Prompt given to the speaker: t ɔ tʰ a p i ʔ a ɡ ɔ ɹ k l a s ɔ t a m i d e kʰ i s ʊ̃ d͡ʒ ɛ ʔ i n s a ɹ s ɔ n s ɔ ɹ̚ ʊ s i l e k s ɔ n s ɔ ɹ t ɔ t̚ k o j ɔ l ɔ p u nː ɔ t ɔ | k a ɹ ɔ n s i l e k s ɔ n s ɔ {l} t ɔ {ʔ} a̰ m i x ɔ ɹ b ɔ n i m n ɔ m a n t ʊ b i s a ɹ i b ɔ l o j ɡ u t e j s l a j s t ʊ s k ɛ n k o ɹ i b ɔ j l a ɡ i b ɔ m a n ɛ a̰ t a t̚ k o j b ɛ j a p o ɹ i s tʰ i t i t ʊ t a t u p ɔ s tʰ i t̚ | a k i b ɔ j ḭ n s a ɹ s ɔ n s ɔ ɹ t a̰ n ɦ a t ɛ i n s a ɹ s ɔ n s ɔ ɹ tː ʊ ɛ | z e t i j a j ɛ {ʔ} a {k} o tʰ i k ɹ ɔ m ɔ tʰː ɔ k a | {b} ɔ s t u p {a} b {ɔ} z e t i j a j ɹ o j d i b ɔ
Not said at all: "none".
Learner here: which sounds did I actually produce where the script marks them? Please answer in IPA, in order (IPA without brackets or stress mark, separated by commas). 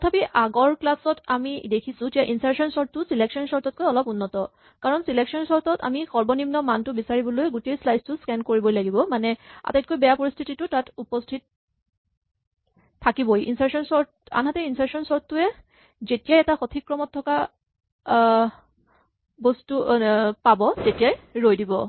ɹ, t, t, x, b, a, ɔ